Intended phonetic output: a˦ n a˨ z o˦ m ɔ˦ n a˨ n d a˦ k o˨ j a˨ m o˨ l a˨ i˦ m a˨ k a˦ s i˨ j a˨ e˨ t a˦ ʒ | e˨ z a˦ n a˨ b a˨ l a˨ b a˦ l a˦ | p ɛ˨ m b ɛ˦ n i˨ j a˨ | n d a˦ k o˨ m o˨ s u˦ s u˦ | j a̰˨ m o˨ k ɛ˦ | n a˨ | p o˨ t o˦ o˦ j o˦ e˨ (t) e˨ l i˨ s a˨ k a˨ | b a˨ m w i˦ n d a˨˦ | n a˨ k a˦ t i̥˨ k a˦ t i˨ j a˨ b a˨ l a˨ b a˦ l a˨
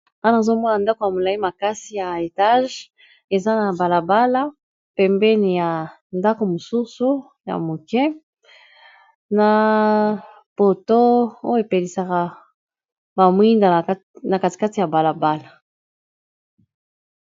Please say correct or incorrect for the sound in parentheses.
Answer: incorrect